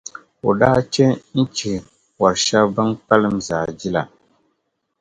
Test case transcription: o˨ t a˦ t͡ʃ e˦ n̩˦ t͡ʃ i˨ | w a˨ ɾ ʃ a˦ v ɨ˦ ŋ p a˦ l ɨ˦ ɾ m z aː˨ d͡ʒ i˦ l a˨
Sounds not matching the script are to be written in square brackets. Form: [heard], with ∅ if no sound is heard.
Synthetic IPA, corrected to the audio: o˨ [d] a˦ t͡ʃ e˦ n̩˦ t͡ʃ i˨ | w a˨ ɾ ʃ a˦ [b] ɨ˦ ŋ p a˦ l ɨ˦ [∅] m z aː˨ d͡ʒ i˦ l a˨